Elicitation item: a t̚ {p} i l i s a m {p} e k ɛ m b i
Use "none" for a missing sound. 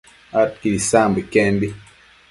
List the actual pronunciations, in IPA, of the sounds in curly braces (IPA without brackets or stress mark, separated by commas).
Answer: k, b